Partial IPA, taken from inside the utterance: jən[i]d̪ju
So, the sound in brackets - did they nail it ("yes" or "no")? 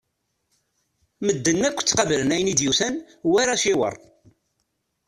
yes